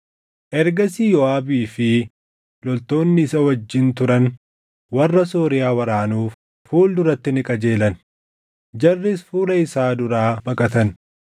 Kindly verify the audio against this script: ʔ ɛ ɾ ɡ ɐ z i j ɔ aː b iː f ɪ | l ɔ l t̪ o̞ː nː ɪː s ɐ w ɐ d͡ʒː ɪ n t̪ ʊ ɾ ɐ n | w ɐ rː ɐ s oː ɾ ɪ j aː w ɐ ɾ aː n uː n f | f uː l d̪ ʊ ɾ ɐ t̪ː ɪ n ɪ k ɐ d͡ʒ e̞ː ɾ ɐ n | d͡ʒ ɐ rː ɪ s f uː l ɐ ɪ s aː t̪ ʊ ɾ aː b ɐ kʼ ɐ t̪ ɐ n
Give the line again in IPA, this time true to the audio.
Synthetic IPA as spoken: ʔ ɛ ɾ ɡ ɐ s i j ɔ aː b iː f ɪ | l ɔ l t̪ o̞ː nː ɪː s ɐ w ɐ d͡ʒː ɪ n t̪ ʊ ɾ ɐ n | w ɐ rː ɐ s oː ɾ ɪ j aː w ɐ ɾ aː n uː f | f uː l d̪ ʊ ɾ ɐ t̪ː ɪ n ɪ kʼ ɐ d͡ʒ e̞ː l ɐ n | d͡ʒ ɐ rː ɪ s f uː l ɐ ɪ s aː d̪ ʊ ɾ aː b ɐ kʼ ɐ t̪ ɐ n